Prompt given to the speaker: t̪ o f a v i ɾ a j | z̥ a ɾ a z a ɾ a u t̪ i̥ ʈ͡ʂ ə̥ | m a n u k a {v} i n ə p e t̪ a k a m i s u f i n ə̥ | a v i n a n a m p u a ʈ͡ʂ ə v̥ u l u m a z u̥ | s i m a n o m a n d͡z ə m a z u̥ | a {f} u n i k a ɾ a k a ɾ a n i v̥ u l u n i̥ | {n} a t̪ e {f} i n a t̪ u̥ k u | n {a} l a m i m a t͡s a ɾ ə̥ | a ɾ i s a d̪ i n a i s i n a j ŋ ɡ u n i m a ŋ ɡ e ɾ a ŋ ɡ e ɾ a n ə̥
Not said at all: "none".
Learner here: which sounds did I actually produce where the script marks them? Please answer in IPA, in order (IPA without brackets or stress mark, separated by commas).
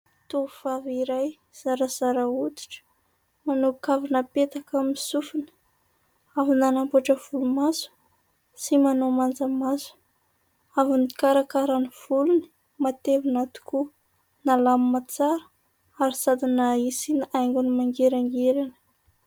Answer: v, v, m, v, a